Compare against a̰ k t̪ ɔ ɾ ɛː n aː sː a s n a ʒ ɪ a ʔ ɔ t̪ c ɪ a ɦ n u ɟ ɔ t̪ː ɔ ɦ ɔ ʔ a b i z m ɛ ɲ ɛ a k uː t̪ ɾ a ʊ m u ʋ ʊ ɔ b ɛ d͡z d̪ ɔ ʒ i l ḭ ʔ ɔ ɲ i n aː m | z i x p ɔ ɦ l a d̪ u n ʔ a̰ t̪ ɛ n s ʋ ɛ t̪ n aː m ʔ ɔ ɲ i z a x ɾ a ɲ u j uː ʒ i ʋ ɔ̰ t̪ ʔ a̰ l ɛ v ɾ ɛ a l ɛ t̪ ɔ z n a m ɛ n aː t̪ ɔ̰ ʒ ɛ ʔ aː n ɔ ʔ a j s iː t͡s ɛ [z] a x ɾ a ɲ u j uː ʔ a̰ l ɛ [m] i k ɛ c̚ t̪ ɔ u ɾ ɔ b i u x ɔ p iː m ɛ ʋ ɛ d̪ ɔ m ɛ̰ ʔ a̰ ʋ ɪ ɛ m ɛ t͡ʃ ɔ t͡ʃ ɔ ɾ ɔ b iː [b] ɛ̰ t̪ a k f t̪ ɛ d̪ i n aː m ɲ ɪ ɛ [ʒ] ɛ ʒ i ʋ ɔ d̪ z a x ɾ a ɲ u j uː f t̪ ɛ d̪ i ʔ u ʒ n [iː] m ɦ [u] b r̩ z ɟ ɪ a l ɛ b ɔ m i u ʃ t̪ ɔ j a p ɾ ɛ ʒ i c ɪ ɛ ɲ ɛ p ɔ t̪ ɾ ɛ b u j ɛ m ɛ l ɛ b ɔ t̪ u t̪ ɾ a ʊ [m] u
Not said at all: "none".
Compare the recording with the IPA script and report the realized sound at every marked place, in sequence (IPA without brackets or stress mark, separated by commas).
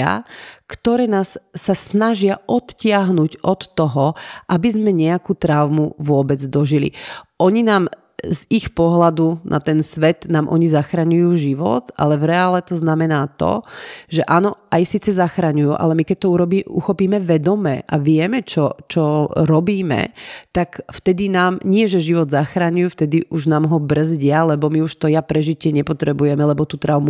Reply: z, m, m, ʒ, aː, ɔ, m